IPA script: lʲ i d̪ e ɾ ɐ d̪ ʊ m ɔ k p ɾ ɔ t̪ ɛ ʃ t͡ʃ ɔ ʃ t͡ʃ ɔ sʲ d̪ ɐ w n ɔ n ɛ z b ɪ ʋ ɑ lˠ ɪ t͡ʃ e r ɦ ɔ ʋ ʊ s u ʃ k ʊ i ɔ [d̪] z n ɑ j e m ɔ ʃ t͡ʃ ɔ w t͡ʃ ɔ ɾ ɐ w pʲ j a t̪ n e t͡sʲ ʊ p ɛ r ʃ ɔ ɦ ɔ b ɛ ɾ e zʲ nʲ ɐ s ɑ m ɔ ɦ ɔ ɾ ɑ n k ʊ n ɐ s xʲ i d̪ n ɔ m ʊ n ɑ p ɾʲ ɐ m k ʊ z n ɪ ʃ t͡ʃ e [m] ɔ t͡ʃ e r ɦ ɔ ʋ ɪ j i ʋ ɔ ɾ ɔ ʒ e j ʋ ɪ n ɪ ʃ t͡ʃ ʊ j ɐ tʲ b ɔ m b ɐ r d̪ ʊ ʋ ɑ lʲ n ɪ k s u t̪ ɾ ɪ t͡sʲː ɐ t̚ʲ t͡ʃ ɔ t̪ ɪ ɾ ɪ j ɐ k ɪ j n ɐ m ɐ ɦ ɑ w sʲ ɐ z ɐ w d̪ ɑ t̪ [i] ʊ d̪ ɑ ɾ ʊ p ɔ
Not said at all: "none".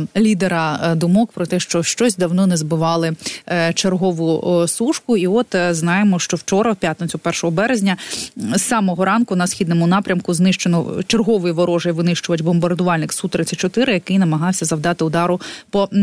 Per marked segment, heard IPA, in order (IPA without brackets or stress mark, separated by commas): t̪, n, ɪ